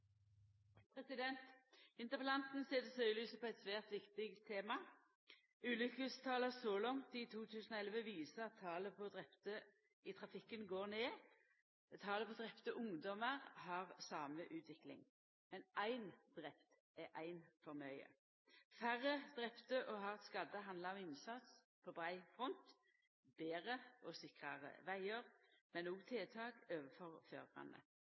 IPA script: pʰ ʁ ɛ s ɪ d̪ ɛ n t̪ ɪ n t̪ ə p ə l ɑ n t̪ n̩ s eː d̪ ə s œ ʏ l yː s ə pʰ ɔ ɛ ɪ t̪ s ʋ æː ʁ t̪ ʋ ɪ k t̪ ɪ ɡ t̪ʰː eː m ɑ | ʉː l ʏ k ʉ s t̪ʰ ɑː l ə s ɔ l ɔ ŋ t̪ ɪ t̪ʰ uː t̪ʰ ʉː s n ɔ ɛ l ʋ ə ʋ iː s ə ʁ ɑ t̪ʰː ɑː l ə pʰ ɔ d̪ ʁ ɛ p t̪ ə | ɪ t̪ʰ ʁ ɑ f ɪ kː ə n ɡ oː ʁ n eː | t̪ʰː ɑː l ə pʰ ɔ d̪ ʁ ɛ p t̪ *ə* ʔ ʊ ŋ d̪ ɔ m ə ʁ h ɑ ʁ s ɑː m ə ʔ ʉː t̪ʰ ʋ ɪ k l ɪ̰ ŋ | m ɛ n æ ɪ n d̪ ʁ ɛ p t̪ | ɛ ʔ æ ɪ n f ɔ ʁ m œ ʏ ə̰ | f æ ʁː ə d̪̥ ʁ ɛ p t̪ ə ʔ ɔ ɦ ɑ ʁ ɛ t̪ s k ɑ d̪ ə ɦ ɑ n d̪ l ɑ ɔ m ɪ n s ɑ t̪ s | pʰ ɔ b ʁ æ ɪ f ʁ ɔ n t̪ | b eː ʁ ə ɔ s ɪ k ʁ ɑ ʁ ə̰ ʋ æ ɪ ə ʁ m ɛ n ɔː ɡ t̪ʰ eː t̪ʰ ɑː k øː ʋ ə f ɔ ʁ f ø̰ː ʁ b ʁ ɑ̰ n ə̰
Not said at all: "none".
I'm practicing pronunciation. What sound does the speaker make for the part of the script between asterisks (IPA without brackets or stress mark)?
ə